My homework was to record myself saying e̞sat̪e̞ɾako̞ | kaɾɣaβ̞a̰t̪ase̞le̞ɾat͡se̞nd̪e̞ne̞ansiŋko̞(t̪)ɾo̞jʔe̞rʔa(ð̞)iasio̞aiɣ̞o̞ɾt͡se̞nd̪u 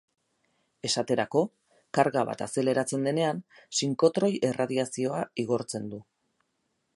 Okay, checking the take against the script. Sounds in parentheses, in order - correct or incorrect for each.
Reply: correct, correct

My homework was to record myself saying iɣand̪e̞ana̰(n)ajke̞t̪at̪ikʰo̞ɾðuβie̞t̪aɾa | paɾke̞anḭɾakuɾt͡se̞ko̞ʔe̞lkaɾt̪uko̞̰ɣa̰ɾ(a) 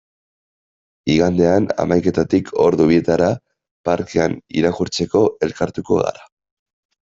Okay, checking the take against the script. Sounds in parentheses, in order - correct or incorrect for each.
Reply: incorrect: m, correct

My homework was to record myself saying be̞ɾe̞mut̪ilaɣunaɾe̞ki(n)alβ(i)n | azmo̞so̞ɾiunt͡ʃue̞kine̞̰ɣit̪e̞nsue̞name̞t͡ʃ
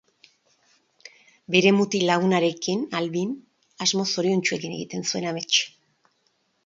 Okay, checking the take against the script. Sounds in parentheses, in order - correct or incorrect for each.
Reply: correct, correct

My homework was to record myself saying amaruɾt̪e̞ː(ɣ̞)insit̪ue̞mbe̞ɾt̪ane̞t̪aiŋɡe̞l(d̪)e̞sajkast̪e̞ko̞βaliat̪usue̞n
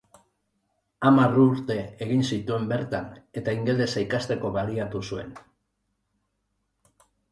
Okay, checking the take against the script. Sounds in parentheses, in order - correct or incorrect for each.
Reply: correct, correct

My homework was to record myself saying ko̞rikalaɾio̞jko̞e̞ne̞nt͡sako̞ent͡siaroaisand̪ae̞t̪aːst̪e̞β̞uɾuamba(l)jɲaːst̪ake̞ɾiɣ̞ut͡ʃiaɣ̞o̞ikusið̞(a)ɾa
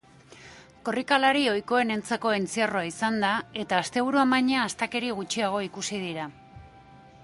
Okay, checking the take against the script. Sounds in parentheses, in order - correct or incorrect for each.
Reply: incorrect: none, incorrect: i

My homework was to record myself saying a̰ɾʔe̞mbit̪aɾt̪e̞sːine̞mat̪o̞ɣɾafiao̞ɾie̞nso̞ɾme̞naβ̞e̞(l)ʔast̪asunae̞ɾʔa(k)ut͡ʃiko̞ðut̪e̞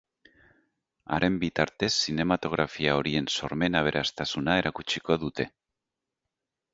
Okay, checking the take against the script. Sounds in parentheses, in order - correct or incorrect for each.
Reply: incorrect: ɾ, correct

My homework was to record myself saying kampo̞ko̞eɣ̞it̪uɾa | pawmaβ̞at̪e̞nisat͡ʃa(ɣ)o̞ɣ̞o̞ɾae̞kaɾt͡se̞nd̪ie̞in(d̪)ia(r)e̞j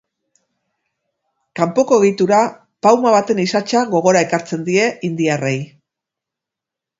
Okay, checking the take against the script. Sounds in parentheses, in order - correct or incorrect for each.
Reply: correct, correct, correct

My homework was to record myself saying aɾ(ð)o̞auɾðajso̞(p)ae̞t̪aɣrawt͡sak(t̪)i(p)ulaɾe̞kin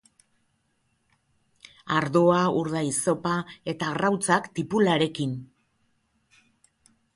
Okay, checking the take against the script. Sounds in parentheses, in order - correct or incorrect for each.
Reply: correct, correct, correct, correct

